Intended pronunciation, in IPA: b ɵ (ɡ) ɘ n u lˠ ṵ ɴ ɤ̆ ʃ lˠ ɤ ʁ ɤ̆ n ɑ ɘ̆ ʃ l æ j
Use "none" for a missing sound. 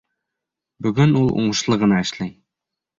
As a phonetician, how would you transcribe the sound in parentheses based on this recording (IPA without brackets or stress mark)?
ɡ